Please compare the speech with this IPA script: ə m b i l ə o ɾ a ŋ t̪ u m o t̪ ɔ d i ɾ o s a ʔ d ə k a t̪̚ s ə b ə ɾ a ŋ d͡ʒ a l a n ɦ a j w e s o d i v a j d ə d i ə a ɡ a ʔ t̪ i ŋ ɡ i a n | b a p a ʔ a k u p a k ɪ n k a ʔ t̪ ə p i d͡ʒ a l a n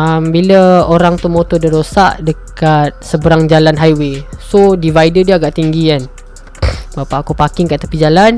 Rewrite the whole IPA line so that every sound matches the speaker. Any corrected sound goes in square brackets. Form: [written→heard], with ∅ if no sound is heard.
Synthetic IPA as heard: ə m b i l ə o ɾ a ŋ t̪ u m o t̪ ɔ d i ɾ o s a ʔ d ə k a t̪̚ s ə b ə ɾ a ŋ d͡ʒ a l a n ɦ a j w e s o d i v a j d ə d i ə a ɡ a ʔ t̪ i ŋ ɡ i a n | b a p a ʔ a k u p a k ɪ [n→ŋ] k a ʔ t̪ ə p i d͡ʒ a l a n